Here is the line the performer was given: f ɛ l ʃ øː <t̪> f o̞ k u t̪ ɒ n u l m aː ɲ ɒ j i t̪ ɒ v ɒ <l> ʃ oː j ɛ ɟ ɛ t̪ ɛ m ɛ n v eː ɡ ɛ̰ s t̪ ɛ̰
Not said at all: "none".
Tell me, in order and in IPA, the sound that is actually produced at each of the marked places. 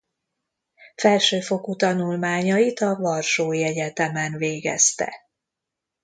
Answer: none, r

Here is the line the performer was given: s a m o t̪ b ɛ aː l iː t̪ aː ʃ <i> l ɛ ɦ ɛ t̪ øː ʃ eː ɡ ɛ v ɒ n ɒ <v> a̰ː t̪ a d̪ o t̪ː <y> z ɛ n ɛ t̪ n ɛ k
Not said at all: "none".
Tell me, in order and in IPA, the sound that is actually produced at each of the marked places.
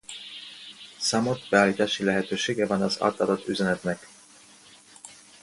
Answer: i, z, y

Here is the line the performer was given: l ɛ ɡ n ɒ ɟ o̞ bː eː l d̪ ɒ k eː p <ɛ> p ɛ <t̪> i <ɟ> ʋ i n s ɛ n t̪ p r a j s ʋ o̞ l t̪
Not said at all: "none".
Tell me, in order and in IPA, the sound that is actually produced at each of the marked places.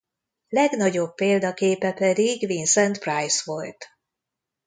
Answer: ɛ, d̪, ɡ

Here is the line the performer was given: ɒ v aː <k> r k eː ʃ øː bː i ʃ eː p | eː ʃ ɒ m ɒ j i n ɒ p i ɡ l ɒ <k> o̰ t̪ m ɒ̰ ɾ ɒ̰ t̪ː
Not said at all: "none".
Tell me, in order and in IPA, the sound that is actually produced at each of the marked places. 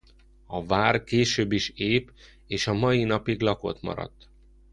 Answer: none, k

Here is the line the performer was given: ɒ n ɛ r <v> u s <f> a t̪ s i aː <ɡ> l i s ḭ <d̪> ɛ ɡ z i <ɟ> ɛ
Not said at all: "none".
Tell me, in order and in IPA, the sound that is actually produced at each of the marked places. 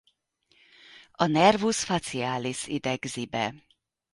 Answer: v, f, none, d̪, b

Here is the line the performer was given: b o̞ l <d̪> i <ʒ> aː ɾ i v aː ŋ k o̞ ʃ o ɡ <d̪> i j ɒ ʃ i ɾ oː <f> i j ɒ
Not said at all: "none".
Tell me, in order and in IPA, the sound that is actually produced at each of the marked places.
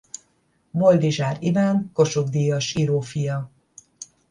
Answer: d̪, ʒ, d̪, f

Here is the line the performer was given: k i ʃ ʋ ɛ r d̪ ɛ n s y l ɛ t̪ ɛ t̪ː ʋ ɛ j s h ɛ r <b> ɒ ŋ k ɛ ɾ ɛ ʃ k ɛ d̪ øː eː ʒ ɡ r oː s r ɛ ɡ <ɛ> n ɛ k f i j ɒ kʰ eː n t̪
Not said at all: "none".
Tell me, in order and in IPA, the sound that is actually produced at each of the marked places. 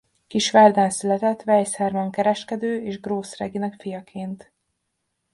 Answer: m, i

